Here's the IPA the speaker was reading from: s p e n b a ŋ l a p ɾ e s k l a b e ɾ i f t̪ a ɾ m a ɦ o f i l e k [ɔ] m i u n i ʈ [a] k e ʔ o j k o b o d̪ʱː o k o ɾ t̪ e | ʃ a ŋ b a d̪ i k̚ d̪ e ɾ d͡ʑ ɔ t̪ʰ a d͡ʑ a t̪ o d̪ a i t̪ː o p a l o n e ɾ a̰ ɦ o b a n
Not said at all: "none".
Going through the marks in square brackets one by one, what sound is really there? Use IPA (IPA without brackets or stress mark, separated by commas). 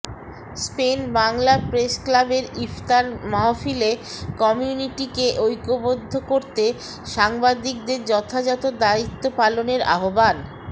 ɔ, i